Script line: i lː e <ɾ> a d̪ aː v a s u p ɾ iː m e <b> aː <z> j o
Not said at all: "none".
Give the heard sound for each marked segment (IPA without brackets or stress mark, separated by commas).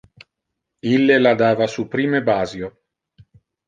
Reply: l, b, z